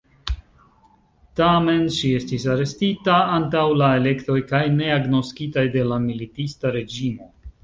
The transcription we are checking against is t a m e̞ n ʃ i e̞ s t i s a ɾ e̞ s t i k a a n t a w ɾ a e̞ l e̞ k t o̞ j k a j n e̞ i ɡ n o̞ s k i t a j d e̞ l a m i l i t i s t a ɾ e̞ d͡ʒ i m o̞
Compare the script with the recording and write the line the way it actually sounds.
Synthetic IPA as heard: t a m e̞ n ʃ i e̞ s t i s a ɾ e̞ s t i t a a n t a w l a e̞ l e̞ k t o̞ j k a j n e̞ a ɡ n o̞ s k i t a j d e̞ l a m i l i t i s t a ɾ e̞ d͡ʒ i m o̞